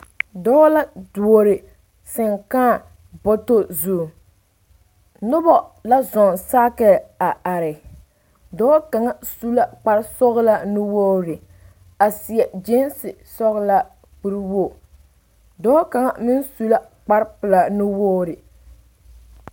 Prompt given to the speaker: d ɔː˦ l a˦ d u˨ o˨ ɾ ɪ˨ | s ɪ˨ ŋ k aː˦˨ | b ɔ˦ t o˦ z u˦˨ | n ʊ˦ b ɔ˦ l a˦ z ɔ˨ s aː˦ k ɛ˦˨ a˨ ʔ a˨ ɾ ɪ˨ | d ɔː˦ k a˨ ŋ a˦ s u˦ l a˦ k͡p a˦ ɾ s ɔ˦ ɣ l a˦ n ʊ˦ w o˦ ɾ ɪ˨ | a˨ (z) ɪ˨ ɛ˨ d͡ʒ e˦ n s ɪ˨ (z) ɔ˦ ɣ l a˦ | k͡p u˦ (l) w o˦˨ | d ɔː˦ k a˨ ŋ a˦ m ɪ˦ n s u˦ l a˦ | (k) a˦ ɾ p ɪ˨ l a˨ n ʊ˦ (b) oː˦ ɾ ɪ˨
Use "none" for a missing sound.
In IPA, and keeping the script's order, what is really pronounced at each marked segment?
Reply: s, s, ɾ, k͡p, w

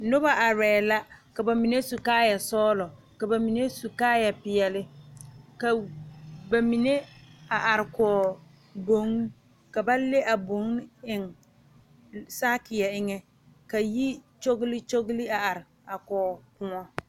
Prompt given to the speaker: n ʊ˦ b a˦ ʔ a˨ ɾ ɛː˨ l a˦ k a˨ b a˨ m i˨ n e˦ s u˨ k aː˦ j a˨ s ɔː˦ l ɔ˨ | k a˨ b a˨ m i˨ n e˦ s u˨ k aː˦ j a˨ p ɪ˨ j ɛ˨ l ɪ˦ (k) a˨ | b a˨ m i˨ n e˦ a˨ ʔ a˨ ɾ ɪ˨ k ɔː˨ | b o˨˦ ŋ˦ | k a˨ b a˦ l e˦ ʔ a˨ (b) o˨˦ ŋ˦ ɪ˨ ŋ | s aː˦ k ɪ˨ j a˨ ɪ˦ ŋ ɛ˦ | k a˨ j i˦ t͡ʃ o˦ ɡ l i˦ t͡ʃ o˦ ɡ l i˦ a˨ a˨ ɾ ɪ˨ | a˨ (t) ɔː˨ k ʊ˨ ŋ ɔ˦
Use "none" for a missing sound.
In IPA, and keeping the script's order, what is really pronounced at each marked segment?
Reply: k, b, k

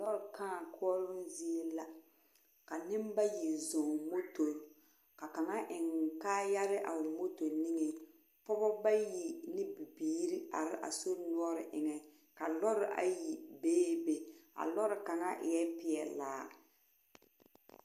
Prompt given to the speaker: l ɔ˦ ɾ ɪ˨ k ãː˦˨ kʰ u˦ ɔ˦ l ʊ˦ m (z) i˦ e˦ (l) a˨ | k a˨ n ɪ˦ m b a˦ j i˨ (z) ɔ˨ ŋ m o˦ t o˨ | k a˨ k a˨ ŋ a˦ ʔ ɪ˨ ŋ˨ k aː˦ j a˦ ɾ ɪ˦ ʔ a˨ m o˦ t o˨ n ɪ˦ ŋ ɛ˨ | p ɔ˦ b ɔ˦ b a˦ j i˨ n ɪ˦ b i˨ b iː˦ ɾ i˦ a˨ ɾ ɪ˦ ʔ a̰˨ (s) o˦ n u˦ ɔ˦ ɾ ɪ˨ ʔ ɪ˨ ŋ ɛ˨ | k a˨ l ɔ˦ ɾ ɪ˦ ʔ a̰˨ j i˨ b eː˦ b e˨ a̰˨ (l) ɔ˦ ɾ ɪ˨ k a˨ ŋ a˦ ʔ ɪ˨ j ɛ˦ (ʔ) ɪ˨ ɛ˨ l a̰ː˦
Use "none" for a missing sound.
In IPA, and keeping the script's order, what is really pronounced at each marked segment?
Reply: z, l, z, s, l, p

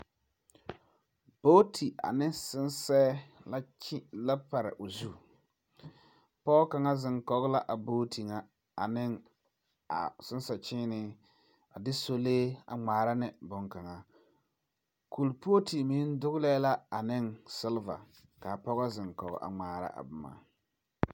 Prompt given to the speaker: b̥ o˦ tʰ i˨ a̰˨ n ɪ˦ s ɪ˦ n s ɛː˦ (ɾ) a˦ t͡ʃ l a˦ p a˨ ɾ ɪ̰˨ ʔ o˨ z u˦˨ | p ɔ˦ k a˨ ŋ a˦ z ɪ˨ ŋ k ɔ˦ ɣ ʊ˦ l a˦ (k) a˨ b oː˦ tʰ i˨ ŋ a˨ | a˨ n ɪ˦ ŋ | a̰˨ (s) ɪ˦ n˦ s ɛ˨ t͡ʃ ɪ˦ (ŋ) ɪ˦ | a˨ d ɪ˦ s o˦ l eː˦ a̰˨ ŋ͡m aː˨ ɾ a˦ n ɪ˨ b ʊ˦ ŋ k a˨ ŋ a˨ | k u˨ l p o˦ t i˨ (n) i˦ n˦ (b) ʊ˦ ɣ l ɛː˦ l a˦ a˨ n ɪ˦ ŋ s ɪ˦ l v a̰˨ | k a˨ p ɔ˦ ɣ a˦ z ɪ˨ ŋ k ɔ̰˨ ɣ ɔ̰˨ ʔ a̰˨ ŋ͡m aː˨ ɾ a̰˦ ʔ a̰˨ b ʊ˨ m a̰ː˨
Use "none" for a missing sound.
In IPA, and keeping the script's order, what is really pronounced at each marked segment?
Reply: l, ʔ, s, n, m, d

